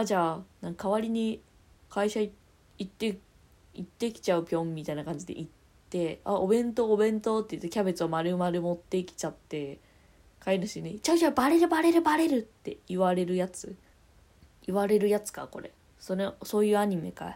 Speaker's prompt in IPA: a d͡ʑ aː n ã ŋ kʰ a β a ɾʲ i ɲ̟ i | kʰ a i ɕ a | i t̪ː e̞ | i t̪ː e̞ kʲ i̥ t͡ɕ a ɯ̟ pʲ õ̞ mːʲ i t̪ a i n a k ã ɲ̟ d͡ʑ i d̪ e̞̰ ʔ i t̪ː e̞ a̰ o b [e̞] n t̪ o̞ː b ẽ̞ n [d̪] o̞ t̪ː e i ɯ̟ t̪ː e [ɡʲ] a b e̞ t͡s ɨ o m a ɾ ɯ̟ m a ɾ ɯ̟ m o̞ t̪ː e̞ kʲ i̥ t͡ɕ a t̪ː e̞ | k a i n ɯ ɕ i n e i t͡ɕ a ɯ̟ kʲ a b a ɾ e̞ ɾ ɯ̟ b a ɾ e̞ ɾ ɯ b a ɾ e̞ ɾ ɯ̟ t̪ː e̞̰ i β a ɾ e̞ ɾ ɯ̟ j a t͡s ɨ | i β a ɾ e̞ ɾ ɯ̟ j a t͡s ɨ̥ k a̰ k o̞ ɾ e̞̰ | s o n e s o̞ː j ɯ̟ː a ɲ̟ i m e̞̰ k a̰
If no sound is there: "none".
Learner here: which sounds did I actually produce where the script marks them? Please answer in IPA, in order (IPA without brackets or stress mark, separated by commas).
ẽ̞, t̪, kʲ